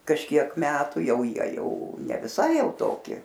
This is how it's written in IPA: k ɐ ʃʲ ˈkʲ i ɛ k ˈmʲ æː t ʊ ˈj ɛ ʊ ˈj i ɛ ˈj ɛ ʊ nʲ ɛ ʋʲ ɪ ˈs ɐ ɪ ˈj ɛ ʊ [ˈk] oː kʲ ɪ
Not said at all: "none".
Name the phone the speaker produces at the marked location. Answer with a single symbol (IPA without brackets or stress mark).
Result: t